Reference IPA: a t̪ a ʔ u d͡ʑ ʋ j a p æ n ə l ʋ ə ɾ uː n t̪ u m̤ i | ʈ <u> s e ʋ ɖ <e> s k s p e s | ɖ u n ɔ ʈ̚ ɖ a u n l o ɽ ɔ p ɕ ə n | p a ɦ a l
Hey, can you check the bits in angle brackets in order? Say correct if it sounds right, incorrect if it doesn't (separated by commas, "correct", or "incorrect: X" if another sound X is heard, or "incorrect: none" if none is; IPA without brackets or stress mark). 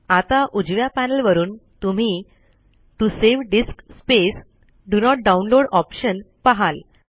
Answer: correct, incorrect: i